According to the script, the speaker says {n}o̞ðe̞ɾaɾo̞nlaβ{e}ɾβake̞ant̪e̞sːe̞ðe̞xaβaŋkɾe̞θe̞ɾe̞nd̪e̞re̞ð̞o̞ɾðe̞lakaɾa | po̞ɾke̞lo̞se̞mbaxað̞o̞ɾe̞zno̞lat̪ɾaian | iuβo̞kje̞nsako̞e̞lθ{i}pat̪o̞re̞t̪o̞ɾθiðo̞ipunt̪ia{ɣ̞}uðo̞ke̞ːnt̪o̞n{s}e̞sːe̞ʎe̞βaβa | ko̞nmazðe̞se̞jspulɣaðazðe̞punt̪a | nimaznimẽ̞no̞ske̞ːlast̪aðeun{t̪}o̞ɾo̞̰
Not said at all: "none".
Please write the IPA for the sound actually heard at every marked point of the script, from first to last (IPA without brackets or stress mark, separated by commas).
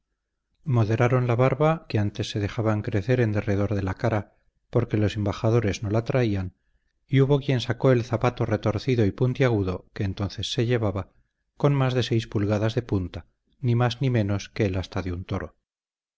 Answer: m, a, a, ɣ̞, θ, t̪